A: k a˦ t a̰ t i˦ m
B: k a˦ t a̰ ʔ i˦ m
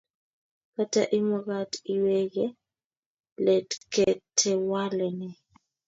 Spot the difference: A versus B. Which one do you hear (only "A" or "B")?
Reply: B